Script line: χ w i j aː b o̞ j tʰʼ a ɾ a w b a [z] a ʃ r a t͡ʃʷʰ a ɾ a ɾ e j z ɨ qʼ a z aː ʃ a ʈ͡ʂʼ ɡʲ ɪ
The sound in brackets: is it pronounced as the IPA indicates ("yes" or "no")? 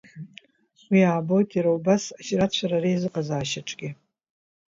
no